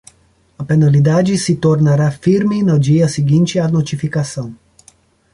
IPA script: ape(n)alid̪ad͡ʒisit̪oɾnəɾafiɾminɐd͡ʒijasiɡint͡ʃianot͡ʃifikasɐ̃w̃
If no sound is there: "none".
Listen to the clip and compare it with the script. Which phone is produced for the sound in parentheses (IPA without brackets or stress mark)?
n